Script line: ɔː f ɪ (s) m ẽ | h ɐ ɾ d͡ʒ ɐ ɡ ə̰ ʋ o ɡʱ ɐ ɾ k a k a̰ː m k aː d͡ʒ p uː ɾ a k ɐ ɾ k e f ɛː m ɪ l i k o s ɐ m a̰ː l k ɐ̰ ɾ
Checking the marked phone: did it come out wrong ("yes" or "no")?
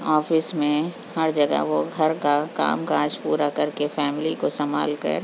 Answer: no